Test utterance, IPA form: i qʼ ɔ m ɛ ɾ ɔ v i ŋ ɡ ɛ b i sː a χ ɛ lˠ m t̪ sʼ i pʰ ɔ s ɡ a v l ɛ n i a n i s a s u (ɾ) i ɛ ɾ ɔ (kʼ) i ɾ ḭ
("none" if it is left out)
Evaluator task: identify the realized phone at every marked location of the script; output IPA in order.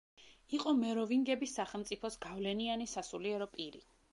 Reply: l, pʼ

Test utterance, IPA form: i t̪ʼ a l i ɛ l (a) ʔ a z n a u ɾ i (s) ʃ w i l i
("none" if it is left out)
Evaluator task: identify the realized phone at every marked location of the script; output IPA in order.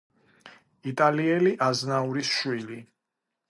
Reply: i, s

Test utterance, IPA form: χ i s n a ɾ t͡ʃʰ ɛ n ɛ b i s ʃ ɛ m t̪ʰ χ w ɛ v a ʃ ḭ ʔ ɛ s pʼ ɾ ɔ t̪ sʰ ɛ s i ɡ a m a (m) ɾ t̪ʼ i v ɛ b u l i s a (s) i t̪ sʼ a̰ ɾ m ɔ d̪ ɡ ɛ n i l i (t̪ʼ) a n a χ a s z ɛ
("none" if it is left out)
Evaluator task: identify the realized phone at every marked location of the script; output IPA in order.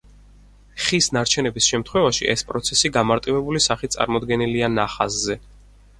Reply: none, χ, none

